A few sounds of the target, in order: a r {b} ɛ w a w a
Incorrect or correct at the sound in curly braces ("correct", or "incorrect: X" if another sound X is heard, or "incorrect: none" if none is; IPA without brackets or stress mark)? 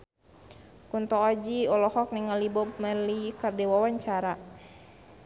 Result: incorrect: d